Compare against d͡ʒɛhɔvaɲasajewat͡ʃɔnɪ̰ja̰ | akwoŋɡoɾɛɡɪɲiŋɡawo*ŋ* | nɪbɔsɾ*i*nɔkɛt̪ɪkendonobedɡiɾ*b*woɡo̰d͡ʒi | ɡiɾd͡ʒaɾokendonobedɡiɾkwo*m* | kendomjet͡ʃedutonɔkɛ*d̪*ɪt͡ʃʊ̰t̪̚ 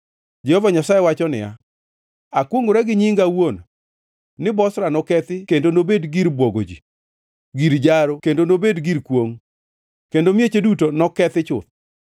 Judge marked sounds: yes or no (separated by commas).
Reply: no, no, yes, no, no